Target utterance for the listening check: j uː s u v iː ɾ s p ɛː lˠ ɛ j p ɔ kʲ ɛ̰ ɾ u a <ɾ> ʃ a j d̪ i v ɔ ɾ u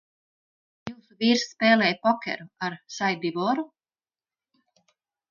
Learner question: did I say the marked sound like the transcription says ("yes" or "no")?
yes